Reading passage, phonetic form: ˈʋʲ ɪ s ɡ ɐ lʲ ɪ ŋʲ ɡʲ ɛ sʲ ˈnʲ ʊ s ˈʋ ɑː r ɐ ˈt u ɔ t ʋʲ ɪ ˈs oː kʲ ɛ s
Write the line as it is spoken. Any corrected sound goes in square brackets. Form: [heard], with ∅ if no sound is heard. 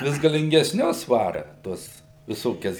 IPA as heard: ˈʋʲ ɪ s ɡ ɐ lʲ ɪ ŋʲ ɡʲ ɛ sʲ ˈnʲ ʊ s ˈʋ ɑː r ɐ ˈt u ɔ [s] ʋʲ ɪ ˈs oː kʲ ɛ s

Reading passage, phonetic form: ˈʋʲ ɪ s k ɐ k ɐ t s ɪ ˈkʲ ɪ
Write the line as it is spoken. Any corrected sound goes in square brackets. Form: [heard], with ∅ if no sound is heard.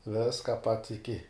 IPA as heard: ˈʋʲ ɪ s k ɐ [p] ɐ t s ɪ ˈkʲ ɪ

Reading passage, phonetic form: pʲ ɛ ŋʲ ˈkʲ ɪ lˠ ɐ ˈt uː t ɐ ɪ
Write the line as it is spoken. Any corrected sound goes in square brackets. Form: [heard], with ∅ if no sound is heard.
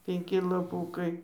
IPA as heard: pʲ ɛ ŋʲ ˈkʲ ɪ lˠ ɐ [ˈp] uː [k] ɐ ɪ

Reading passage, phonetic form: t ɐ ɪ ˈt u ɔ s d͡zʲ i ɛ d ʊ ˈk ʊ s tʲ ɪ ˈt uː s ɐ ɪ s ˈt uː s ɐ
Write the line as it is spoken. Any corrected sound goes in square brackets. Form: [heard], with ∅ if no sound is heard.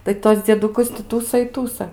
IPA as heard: t ɐ ɪ ˈt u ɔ s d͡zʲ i ɛ d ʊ ˈk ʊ s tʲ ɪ ˈt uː s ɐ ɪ [∅] ˈt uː s ɐ

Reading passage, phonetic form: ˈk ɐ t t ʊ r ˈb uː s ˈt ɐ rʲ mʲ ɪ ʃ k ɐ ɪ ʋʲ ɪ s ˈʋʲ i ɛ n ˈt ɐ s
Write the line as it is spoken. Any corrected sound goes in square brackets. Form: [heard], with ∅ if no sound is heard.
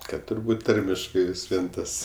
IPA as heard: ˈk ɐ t t ʊ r ˈb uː [t] ˈt ɐ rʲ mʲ ɪ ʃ k ɐ ɪ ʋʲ ɪ s ˈʋʲ i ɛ n ˈt ɐ s

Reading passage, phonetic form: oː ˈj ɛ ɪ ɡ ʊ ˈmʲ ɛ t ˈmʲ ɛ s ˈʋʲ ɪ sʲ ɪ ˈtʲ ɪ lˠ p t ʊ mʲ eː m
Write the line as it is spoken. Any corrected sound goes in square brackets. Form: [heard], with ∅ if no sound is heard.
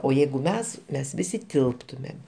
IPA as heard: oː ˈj ɛ ɪ ɡ ʊ ˈmʲ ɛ [s] ˈmʲ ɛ s ˈʋʲ ɪ sʲ ɪ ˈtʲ ɪ lˠ p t ʊ mʲ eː m

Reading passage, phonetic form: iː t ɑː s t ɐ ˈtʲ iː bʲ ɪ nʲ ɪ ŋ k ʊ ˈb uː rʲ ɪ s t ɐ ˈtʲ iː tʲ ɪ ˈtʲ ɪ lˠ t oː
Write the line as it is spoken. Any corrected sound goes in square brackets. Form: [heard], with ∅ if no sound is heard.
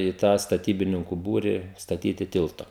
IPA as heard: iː t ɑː s t ɐ ˈtʲ iː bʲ ɪ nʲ ɪ ŋ k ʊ ˈb uː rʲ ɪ s t ɐ ˈtʲ iː tʲ ɪ ˈtʲ ɪ lˠ t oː

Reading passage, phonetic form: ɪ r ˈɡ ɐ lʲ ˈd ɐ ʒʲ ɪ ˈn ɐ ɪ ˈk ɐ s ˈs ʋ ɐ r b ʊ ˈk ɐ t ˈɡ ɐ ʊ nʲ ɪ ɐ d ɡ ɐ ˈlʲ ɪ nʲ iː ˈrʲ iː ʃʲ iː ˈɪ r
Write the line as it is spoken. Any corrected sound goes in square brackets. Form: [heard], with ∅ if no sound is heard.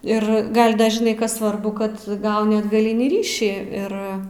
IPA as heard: ɪ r ˈɡ ɐ lʲ ˈd ɐ ʒʲ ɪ ˈn ɐ ɪ ˈk ɐ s ˈs ʋ ɐ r b ʊ ˈk ɐ t ˈɡ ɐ ʊ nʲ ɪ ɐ d ɡ ɐ ˈlʲ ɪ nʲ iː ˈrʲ iː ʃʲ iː ˈɪ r

